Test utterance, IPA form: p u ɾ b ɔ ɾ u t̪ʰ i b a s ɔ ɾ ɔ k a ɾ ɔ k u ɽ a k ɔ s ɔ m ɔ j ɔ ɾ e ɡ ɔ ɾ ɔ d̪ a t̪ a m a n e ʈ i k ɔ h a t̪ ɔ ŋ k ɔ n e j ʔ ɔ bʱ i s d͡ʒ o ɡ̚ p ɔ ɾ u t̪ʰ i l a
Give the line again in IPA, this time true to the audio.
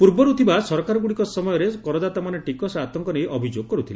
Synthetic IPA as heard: p u ɾ b ɔ ɾ u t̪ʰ i b a s ɔ ɾ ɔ k a ɾ ɔ ɡ u ɽ i k ɔ s ɔ m ɔ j ɔ ɾ e k ɔ ɾ ɔ d̪ a t̪ a m a n e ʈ i k ɔ s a t̪ ɔ ŋ k ɔ n e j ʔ ɔ bʱ i d͡ʒ o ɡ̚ k ɔ ɾ u t̪ʰ i l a

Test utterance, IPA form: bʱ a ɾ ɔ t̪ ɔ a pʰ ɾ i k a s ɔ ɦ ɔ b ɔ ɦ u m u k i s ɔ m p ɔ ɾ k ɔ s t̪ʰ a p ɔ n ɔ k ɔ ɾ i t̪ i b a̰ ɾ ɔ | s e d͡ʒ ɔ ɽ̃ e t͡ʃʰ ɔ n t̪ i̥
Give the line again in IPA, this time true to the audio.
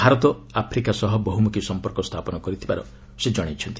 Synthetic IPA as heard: bʱ a ɾ ɔ t̪ ɔ a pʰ ɾ i k a s ɔ ɦ ɔ b ɔ ɦ u m u k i s ɔ m p ɔ ɾ k ɔ s t̪ʰ a p ɔ n ɔ k ɔ ɾ i t̪ʰ i b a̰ ɾ ɔ | s e d͡ʒ ɔ ɽ̃ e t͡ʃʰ ɔ n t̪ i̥

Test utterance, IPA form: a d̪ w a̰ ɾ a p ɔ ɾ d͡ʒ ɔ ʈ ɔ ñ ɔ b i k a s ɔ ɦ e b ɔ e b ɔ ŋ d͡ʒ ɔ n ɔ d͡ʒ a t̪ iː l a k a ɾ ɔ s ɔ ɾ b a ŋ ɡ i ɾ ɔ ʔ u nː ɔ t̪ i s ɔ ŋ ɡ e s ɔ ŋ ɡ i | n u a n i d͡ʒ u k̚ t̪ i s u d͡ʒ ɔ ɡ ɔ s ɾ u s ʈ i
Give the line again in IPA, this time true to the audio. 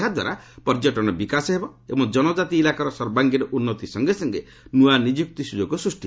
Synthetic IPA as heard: a d̪ w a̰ ɾ a p ɔ ɾ d͡ʒ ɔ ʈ ɔ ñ ɔ b i k a s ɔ ɦ e b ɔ e b ɔ ŋ d͡ʒ ɔ n ɔ d͡ʒ a t̪ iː l a k a ɾ ɔ s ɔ ɾ b a ŋ ɡ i ɾ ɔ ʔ u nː ɔ t̪ i s ɔ ŋ ɡ e s ɔ ŋ ɡ e | n u a n i d͡ʒ u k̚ t̪ i s u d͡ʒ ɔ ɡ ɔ s ɾ u s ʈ i

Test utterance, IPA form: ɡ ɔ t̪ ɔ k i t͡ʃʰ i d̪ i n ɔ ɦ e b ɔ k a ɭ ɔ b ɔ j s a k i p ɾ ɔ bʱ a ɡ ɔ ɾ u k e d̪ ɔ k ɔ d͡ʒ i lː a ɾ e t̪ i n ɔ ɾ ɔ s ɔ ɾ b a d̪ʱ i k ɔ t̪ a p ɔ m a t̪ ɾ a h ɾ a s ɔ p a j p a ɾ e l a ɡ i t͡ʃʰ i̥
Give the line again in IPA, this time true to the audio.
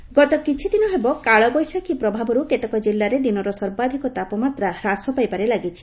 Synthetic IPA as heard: ɡ ɔ t̪ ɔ k i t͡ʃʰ i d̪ i n ɔ ɦ e b ɔ k a ɭ ɔ b ɔ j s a k i p ɾ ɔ bʱ a b ɔ ɾ u k e t̪ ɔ k ɔ d͡ʒ i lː a ɾ e d̪ i n ɔ ɾ ɔ s ɔ ɾ b a d̪ʱ i k ɔ t̪ a p ɔ m a t̪ ɾ a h ɾ a s ɔ p a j p a ɾ e l a ɡ i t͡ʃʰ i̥

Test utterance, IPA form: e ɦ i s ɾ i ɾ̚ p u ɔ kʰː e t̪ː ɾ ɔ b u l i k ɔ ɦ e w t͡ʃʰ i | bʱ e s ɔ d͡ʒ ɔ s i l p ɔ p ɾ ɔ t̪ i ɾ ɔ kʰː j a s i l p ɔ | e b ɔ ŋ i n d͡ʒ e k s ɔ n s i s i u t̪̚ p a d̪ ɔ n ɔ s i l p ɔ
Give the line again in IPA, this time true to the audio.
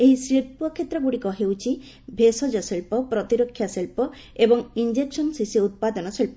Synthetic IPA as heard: e ɦ i s ɾ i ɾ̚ p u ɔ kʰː e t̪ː ɾ ɔ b u ɽ i k ɔ ɦ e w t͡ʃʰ i | bʱ e s ɔ d͡ʒ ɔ s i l p ɔ p ɾ ɔ t̪ i ɾ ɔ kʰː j a s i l p ɔ | e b ɔ ŋ i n d͡ʒ e k s ɔ n s i s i u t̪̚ p a d̪ ɔ n ɔ s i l p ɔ

